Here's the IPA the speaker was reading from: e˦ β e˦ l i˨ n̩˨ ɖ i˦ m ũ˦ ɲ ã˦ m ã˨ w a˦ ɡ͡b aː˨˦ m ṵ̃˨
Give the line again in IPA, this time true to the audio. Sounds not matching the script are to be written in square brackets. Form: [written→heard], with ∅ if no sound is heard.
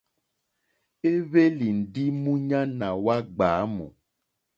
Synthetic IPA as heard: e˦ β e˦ l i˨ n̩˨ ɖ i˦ m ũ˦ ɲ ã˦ [m→n] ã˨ w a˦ ɡ͡b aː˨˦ m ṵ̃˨